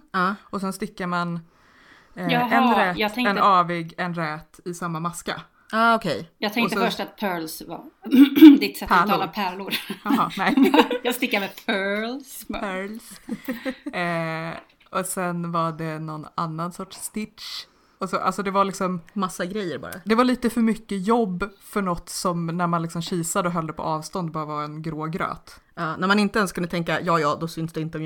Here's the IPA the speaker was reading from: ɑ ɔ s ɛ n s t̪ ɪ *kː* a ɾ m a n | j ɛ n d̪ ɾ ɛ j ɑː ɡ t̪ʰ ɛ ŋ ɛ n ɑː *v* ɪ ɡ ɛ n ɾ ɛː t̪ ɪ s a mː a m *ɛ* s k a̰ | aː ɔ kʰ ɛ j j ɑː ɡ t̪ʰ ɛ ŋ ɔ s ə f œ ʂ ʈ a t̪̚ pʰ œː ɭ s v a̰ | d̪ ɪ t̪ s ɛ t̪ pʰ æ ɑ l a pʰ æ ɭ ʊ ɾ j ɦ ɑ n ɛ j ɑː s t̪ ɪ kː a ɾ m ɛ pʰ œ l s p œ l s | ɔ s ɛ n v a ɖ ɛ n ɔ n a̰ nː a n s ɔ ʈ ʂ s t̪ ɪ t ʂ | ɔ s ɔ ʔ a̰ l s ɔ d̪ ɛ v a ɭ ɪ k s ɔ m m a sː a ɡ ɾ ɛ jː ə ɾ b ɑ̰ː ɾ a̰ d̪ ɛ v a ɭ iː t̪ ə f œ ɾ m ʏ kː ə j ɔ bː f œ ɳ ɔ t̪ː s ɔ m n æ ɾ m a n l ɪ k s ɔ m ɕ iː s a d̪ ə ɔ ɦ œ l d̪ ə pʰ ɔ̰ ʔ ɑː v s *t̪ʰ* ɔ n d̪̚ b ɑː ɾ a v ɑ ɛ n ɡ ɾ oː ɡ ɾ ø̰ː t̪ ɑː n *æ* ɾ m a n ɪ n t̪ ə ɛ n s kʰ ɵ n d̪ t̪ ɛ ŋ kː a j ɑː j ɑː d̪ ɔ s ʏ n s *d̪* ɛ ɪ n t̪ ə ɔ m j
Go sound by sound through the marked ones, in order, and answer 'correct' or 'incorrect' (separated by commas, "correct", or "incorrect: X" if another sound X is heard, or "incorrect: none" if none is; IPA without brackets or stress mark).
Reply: correct, correct, incorrect: a, incorrect: t̪, correct, correct